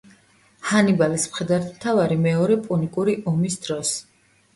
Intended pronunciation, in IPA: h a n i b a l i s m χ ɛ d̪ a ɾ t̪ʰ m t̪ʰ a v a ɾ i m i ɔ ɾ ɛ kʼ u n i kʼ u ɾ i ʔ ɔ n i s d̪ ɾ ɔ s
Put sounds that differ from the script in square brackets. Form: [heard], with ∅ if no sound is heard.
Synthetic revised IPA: h a n i b a l i s m χ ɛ d̪ a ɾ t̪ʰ m t̪ʰ a v a ɾ i m [ɛ] ɔ ɾ ɛ [pʼ] u n i kʼ u ɾ i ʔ ɔ [m] i s d̪ ɾ ɔ s

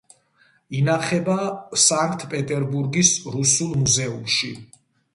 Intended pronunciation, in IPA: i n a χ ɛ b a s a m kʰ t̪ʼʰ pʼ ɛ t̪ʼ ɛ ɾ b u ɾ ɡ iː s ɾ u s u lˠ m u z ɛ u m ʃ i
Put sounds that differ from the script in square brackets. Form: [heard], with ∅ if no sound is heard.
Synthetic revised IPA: i n a χ ɛ b a s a [ŋ] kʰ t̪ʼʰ pʼ ɛ t̪ʼ ɛ ɾ b u ɾ ɡ [i] s ɾ u s u lˠ m u z ɛ u m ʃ i

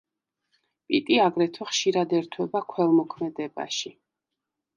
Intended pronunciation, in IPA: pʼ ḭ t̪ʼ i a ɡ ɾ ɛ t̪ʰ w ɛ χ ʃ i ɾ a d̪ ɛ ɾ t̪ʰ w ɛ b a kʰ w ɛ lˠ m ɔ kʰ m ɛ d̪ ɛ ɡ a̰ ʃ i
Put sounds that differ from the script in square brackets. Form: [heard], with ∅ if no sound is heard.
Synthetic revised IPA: pʼ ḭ t̪ʼ i a ɡ ɾ ɛ t̪ʰ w ɛ χ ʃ i ɾ a d̪ ɛ ɾ t̪ʰ w ɛ b a kʰ w ɛ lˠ m ɔ kʰ m ɛ d̪ ɛ [b] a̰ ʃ i

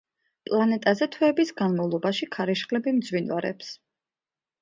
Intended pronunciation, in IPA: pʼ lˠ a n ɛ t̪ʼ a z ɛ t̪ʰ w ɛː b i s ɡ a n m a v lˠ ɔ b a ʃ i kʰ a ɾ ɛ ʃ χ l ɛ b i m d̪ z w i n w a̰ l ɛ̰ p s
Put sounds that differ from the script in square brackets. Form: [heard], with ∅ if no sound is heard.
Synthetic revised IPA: pʼ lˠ a n ɛ t̪ʼ a z ɛ t̪ʰ w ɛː b i s ɡ a n m a v lˠ ɔ b a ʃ i kʰ a ɾ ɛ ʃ χ l ɛ b i m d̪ z w i n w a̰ [ɾ] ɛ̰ p s

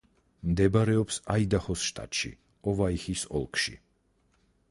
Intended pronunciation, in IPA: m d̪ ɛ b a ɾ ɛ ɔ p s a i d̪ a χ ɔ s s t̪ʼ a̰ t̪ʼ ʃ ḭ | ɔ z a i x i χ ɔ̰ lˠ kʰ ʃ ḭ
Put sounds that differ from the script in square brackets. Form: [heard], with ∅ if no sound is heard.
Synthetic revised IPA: m d̪ ɛ b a ɾ ɛ ɔ p s a i d̪ a χ ɔ s [ʃ] t̪ʼ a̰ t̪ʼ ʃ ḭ | ɔ [v] a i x i [s] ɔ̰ lˠ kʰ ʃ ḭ

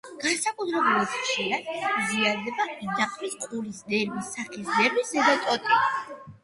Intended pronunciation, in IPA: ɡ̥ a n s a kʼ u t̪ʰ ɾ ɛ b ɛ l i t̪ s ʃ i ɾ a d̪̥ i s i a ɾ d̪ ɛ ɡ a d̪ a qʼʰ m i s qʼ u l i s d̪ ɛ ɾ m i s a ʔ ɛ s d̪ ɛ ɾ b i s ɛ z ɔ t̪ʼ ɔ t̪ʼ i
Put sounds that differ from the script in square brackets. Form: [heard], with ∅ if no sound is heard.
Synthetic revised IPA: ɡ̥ a n s a kʼ u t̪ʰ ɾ ɛ b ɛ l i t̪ [χ] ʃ i ɾ a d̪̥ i [z] i a ɾ d̪ ɛ [b] a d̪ a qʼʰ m i s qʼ u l i s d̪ ɛ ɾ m i s a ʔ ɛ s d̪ ɛ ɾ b i s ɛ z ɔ t̪ʼ ɔ t̪ʼ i

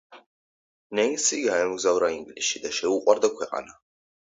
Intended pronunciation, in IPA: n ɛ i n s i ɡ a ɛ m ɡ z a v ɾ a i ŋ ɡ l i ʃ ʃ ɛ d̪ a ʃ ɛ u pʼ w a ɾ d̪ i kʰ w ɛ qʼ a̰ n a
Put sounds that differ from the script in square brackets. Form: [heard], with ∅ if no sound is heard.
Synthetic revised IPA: n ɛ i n s i ɡ a ɛ m ɡ z a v ɾ a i ŋ ɡ l i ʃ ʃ [i] d̪ a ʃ ɛ u [qʼ] w a ɾ d̪ [a] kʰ w ɛ qʼ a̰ n a

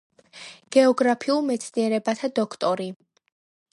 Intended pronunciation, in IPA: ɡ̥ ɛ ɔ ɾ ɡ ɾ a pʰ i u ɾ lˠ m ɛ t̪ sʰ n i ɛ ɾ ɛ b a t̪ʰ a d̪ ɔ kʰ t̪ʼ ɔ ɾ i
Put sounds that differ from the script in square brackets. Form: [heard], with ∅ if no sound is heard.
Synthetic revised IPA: ɡ̥ ɛ ɔ [∅] ɡ ɾ a pʰ i u [∅] lˠ m ɛ t̪ sʰ n i ɛ ɾ ɛ b a t̪ʰ a d̪ ɔ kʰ t̪ʼ ɔ ɾ i

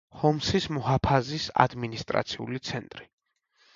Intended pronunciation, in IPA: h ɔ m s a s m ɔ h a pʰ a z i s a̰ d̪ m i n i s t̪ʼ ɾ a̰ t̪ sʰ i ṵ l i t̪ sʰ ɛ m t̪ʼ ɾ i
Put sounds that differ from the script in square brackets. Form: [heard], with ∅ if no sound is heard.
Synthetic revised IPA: h ɔ m s [i] s m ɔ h a pʰ a z i s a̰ d̪ m i n i s t̪ʼ ɾ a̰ t̪ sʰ i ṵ l i t̪ sʰ ɛ [n] t̪ʼ ɾ i

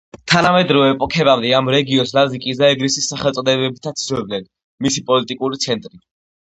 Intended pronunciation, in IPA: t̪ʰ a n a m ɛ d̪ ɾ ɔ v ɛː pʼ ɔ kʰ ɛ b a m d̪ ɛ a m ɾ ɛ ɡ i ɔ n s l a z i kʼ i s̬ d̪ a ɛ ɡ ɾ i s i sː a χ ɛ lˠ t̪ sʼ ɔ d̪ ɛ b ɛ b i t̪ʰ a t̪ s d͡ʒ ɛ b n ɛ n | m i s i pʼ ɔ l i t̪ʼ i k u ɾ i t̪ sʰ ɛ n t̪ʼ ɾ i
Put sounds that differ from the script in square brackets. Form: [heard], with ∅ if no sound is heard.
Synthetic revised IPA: t̪ʰ a n a m ɛ d̪ ɾ ɔ v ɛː pʼ ɔ kʰ ɛ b a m d̪ ɛ a m ɾ ɛ ɡ i ɔ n s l a z i kʼ i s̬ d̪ a ɛ ɡ ɾ i s i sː a χ ɛ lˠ t̪ sʼ ɔ d̪ ɛ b ɛ b i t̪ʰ a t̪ s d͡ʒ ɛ b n ɛ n | m i s i pʼ ɔ l i t̪ʼ i [kʼ] u ɾ i t̪ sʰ ɛ n t̪ʼ ɾ i

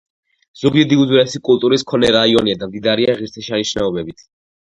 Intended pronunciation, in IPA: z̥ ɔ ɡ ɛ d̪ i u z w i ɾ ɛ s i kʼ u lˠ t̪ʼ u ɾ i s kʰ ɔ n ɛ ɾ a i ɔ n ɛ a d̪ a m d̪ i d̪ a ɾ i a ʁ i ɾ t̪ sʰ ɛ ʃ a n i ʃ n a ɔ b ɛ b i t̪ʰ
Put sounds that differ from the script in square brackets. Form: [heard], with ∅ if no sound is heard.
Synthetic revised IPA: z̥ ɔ ɡ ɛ d̪ i u z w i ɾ ɛ s i kʼ u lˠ t̪ʼ u ɾ i s kʰ ɔ n ɛ ɾ a i ɔ n [i] a d̪ a m d̪ i d̪ a ɾ i a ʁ i ɾ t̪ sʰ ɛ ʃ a n i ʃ n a ɔ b ɛ b i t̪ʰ

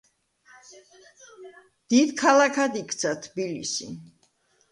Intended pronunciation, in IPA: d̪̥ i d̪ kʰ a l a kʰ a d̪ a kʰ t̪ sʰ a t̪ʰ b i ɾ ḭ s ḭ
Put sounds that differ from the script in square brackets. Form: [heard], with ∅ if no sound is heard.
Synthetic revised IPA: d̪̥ i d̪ kʰ a l a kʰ a d̪ [i] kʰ t̪ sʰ a t̪ʰ b i [l] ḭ s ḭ

